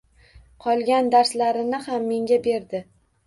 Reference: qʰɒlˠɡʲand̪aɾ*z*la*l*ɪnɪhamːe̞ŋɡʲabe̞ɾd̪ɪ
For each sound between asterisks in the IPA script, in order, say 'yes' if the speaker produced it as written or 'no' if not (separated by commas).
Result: no, no